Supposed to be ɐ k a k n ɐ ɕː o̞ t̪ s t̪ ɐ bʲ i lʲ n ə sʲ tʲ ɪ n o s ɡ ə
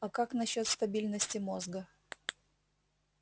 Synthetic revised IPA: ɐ k a k n ɐ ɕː o̞ t̪ s t̪ ɐ bʲ i lʲ n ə sʲ tʲ ɪ m o z ɡ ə